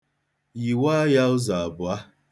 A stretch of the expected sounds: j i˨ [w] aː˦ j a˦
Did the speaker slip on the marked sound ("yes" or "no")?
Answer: no